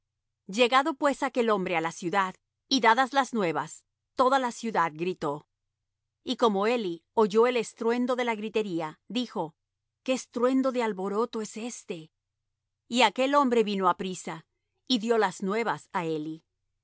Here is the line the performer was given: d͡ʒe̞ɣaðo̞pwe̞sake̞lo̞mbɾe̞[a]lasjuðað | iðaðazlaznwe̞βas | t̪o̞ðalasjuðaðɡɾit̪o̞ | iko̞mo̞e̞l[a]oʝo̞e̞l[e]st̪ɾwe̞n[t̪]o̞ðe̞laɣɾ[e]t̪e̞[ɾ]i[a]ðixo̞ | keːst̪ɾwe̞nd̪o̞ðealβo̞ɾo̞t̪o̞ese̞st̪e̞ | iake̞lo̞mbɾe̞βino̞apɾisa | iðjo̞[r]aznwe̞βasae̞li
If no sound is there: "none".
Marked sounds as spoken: a, i, e, d̪, i, ɾ, a, l

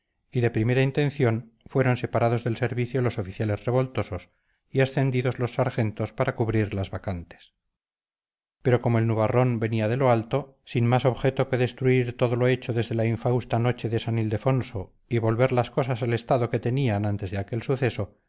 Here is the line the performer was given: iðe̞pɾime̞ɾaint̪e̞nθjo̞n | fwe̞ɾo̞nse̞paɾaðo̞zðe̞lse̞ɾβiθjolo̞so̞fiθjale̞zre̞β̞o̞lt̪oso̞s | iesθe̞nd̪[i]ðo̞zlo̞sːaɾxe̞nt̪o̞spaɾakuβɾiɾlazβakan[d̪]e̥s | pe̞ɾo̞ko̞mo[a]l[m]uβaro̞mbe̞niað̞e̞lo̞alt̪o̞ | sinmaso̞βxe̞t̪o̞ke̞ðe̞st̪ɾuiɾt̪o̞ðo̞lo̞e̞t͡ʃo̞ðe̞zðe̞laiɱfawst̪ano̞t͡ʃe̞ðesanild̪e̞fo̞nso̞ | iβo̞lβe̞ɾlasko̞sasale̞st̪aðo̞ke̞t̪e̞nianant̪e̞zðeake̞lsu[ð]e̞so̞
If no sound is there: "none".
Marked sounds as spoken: i, t̪, e, n, θ

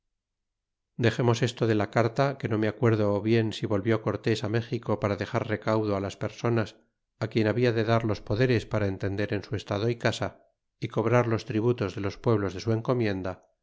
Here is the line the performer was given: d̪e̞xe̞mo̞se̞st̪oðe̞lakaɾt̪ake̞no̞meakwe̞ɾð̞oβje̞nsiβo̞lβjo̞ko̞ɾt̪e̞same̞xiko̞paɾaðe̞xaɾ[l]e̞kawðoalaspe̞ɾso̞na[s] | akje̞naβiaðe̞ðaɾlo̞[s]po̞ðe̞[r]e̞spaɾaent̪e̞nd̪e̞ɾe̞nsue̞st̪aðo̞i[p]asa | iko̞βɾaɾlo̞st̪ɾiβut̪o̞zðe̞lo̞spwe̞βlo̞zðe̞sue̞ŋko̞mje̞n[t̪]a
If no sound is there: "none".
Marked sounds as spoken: r, s, s, ɾ, k, d̪

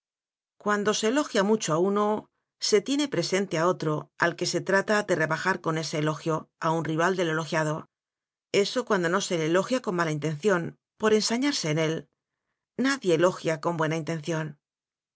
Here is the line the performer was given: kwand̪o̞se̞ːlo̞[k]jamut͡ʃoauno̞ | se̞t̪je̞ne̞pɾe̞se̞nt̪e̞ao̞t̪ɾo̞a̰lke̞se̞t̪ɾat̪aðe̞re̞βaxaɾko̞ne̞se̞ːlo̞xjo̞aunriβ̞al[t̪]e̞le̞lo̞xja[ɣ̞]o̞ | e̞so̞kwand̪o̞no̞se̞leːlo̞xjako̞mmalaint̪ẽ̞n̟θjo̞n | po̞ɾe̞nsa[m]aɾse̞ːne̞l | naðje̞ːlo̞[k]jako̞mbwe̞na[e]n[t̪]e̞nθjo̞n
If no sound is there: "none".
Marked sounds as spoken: x, d̪, ð̞, ɲ, x, i, t̪

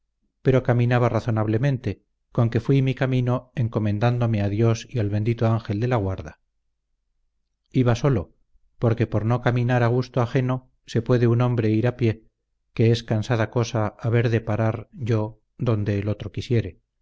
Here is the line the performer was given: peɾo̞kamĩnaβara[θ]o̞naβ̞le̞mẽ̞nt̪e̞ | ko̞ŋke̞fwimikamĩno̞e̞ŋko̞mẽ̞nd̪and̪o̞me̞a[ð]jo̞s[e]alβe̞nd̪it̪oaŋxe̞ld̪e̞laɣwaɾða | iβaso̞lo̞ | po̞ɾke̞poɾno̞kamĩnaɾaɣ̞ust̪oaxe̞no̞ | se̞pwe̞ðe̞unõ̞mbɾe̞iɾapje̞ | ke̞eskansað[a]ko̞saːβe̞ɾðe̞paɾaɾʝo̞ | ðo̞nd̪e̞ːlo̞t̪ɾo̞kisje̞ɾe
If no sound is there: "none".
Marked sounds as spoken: θ, ð, i, a

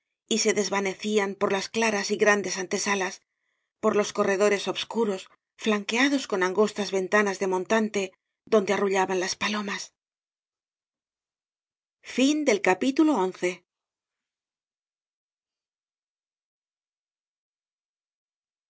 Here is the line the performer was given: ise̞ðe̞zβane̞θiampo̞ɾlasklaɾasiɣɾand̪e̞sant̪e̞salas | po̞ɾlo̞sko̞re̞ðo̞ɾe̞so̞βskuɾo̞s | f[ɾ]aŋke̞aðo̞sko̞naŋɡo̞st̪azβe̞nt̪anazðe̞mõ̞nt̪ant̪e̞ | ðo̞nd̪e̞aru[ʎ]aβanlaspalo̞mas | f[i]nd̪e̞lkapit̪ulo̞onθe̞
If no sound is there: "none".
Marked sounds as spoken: l, ʎ, i

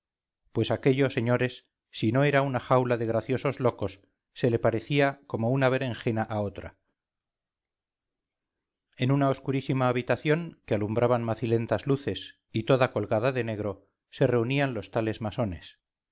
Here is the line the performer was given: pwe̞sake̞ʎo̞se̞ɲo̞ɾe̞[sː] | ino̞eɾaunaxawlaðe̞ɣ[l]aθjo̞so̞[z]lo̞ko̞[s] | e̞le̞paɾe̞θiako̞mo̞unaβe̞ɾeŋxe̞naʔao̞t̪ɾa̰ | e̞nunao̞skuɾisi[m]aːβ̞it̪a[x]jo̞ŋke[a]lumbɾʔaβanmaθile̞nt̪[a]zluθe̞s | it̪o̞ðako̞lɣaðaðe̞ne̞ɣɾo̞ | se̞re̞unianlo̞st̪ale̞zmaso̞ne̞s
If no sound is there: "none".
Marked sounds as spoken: sː, ɾ, z, sː, m, θ, a, a

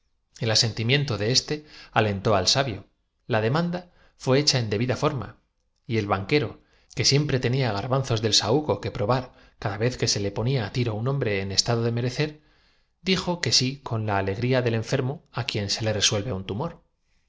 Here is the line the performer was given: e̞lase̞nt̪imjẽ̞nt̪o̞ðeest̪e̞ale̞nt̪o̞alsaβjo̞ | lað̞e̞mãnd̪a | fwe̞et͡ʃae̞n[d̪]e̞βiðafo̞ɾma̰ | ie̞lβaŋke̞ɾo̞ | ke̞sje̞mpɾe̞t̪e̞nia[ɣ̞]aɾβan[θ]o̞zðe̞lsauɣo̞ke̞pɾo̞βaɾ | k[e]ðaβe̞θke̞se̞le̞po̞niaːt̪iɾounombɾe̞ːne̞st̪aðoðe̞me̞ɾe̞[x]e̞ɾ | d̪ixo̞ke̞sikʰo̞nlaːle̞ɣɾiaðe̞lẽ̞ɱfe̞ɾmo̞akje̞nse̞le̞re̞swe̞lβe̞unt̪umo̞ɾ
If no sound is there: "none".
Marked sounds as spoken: d̪, ɣ̞, θ, a, θ

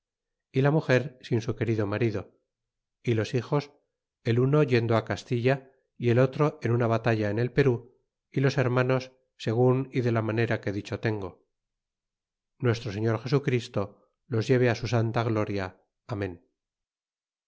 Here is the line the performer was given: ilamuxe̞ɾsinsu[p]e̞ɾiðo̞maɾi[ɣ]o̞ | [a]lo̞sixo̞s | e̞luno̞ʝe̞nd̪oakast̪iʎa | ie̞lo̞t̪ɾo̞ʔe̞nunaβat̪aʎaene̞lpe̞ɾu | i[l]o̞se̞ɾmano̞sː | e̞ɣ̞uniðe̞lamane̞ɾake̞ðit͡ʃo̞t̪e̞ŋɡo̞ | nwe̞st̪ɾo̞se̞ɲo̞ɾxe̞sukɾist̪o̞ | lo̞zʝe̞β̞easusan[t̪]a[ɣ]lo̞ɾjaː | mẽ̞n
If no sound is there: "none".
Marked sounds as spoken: k, ð, i, l, t̪, ɣ

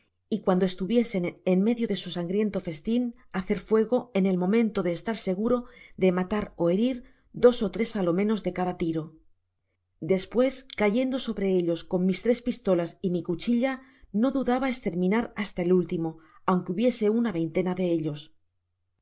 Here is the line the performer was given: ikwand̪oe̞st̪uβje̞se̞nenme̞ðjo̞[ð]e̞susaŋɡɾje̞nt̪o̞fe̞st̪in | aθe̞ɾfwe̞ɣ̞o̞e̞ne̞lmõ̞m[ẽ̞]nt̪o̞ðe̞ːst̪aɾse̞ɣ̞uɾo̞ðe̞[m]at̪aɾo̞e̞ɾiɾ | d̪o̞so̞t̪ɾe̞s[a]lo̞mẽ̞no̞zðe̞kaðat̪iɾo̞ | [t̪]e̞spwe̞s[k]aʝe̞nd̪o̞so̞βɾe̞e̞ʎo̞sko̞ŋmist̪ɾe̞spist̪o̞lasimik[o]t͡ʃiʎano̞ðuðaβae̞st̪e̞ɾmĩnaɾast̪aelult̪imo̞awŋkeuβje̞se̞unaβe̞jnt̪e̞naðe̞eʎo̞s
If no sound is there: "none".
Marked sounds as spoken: ð, ẽ̞, m, a, d̪, k, u

